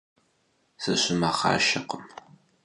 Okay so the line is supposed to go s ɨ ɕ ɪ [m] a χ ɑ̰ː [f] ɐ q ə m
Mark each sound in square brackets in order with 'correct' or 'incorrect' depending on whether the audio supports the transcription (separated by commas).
correct, incorrect